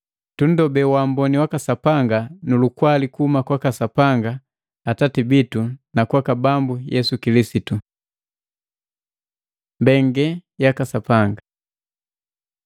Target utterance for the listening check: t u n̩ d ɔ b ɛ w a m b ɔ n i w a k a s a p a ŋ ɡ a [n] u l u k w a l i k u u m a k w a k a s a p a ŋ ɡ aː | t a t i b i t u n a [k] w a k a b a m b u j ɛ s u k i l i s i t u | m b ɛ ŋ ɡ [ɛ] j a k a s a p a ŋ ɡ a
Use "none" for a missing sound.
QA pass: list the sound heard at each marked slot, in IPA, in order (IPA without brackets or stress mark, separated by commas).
n, k, ɛ